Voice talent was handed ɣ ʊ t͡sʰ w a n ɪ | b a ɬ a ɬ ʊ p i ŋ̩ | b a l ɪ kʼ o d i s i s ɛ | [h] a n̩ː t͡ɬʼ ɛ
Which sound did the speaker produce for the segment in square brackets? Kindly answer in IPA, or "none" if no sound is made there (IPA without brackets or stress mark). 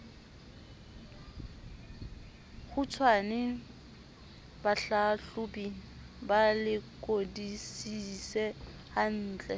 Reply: h